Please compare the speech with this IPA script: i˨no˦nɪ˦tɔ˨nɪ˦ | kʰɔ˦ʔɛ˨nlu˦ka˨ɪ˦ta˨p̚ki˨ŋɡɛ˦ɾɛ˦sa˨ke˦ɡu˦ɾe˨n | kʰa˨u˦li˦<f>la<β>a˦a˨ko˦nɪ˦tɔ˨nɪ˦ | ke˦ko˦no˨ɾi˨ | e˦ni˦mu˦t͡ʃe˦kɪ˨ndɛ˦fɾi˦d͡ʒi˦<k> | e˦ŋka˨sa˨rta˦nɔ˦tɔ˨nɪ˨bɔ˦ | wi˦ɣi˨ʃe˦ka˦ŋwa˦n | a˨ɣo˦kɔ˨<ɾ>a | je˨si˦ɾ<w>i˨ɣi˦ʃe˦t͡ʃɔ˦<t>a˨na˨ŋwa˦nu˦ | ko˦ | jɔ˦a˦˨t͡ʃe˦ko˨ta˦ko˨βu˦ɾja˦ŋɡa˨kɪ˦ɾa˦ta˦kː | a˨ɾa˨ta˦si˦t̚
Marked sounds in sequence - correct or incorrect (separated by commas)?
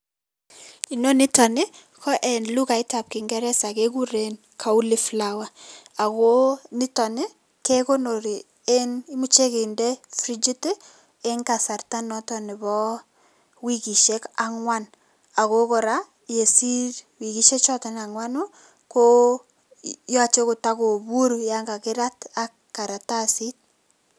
correct, incorrect, incorrect, correct, correct, correct